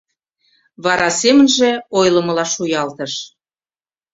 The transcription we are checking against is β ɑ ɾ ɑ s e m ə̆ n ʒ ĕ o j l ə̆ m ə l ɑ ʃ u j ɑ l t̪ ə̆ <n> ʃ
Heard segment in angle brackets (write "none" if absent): none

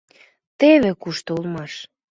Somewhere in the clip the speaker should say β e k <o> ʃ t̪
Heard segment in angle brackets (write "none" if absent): u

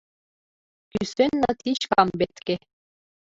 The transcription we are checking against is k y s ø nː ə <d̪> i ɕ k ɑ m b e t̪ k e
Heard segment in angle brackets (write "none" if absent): t̪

